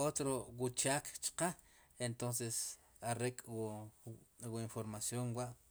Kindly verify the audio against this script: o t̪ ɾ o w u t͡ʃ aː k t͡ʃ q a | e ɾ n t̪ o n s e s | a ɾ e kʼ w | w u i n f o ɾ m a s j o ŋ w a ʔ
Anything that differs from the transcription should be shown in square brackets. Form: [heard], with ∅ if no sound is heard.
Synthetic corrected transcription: o t̪ ɾ o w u t͡ʃ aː k t͡ʃ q a | e [∅] n t̪ o n s e s | a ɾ e kʼ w | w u i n f o ɾ m a s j o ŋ w a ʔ

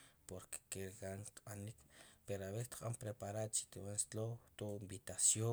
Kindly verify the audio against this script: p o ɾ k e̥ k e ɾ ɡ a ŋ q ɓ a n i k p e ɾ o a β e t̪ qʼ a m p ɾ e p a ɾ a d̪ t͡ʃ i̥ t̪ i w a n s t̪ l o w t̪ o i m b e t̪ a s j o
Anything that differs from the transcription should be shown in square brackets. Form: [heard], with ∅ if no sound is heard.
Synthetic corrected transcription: p o ɾ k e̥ k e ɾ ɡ a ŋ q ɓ a n i k p e ɾ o a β e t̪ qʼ a m p ɾ e p a ɾ a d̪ t͡ʃ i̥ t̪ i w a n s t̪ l o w t̪ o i m b [i] t̪ a s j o

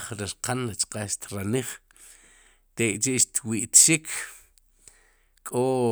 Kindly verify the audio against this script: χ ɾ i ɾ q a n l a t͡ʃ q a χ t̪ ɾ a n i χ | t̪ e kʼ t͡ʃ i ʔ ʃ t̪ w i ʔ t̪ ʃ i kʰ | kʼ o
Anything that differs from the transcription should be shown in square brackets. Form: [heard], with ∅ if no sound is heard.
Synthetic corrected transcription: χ ɾ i ɾ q a n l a t͡ʃ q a [ʃ] t̪ ɾ a n i χ | t̪ e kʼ t͡ʃ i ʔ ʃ t̪ w i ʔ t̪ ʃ i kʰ | kʼ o

